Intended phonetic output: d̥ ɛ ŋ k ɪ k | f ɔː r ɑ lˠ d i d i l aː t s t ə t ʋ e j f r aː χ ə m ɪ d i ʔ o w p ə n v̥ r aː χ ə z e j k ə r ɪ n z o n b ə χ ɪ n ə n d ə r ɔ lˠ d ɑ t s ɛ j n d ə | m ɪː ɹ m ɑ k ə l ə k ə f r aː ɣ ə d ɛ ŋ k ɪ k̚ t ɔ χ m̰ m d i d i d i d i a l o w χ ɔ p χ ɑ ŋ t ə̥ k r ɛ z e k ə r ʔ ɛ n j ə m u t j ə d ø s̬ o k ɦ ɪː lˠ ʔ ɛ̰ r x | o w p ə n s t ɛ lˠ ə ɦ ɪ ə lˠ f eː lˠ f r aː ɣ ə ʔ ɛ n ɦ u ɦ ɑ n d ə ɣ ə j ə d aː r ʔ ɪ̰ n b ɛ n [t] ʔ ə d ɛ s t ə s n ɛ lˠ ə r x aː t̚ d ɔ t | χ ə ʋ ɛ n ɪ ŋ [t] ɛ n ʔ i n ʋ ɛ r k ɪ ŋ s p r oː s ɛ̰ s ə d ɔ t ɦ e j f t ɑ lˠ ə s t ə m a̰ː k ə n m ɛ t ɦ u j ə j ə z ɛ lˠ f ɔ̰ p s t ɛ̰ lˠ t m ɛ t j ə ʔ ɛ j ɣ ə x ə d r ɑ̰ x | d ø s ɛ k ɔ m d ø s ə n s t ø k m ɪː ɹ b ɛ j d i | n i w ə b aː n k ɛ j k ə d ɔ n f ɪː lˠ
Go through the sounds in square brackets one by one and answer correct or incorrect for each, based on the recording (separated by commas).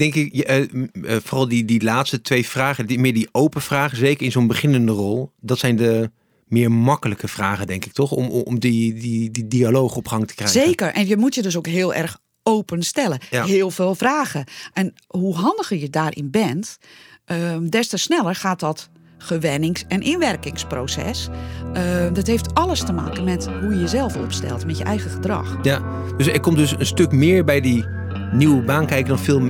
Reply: correct, incorrect